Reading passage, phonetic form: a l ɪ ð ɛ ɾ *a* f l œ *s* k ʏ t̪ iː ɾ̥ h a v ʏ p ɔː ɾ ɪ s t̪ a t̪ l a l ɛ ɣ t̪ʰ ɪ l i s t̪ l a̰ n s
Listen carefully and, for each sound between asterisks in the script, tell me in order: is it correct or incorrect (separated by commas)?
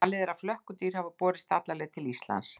correct, incorrect